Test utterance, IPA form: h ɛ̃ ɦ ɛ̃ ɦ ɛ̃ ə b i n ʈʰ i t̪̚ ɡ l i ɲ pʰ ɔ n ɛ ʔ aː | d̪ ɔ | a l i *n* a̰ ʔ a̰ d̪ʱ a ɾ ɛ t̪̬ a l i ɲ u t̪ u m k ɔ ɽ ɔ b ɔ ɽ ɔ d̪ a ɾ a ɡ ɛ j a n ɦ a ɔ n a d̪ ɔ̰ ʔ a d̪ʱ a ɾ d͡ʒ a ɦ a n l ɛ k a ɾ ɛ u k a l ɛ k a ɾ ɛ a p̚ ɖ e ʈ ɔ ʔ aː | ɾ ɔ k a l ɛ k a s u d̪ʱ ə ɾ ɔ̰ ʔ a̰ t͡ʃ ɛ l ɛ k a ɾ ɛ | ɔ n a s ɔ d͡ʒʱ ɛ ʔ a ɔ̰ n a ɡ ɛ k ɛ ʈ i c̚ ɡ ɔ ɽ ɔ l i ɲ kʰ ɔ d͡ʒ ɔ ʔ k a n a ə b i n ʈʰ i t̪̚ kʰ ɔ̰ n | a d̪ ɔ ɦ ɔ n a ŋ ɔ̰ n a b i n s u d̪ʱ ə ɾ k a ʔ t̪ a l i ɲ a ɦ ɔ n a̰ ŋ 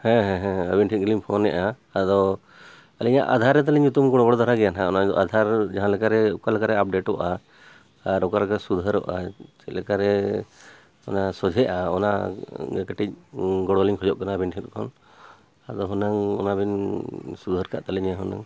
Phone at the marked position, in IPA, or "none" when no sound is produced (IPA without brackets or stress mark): ɲ